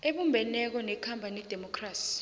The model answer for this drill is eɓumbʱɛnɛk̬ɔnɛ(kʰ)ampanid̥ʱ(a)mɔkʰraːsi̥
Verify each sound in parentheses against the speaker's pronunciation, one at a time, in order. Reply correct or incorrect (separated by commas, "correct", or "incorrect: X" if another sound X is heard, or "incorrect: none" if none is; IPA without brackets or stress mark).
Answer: correct, incorrect: ɛ